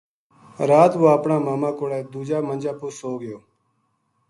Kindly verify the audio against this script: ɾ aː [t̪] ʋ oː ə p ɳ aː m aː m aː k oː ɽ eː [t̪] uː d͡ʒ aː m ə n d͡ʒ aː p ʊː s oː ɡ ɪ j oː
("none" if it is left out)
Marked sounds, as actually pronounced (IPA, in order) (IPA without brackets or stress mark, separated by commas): t̪, d̪